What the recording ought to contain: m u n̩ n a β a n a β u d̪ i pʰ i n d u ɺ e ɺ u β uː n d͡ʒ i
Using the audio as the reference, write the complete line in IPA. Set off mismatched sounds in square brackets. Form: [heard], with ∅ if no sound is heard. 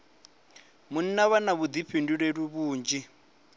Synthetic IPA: m u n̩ n a β a n a β u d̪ i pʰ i n d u ɺ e ɺ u β uː n d͡ʒ i